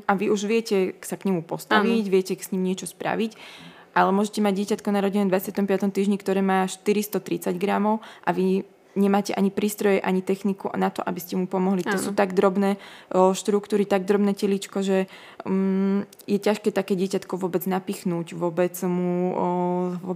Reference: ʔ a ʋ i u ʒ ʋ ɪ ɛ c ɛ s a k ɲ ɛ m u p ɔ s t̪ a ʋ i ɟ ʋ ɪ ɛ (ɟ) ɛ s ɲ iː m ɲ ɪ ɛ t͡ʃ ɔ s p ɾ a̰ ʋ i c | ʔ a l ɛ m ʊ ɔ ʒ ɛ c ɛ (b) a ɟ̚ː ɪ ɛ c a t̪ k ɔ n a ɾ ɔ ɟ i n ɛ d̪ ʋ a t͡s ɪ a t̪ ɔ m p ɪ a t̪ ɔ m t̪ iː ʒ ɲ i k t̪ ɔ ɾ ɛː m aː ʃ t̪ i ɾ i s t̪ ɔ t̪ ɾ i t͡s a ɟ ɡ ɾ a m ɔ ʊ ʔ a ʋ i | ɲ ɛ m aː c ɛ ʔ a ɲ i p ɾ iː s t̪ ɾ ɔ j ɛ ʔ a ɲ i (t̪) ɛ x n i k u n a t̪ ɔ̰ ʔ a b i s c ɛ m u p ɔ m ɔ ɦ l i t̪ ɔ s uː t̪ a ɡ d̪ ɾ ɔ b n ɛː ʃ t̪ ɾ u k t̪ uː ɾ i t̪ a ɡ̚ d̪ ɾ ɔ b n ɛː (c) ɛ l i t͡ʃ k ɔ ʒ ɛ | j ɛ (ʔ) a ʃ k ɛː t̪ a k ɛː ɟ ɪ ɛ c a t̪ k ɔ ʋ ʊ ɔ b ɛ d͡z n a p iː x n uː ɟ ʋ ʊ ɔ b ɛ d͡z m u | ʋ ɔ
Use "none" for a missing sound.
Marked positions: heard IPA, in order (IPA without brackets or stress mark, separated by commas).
c, m, t̪, c, c